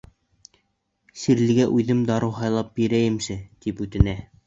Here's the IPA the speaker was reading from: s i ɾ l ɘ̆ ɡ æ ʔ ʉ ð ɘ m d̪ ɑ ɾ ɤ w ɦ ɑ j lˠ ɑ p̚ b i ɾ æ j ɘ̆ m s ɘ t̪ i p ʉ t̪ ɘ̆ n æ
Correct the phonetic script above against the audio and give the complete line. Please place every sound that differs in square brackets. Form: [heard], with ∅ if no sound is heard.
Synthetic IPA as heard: s i ɾ l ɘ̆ ɡ æ ʔ ʉ ð ɘ m d̪ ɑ ɾ ɤ w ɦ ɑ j lˠ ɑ p̚ b i ɾ æ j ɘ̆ m s ɘ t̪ i p ʉ t̪ ɘ̆ n æ